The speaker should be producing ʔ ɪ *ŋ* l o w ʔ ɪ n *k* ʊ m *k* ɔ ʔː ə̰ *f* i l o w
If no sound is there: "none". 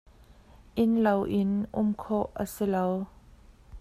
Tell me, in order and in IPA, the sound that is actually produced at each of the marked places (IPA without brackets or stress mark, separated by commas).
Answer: n, ʔ, kʰ, s